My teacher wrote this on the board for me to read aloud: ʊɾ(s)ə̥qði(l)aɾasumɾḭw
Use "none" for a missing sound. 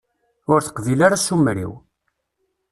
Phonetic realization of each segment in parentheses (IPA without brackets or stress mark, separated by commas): θ, l